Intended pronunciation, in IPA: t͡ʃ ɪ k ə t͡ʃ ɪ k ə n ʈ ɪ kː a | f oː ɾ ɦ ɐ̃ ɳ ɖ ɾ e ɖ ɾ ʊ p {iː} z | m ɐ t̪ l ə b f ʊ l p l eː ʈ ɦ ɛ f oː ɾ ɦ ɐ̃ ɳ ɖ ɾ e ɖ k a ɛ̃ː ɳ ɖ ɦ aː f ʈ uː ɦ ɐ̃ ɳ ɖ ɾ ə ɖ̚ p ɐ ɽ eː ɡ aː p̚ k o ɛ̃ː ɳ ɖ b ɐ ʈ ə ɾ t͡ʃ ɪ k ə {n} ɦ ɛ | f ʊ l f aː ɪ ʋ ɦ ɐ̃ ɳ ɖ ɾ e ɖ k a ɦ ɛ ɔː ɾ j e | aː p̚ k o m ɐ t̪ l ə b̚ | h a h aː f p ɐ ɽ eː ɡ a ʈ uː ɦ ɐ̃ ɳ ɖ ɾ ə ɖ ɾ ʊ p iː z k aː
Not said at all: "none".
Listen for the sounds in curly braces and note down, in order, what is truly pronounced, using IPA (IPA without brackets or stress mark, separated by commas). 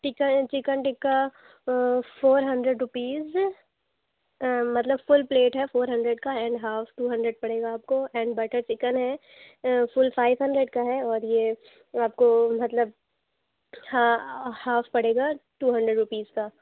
iː, n